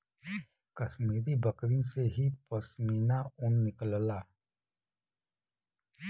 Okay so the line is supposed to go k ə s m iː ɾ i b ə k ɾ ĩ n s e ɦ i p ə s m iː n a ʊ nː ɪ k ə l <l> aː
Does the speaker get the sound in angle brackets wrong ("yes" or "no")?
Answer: no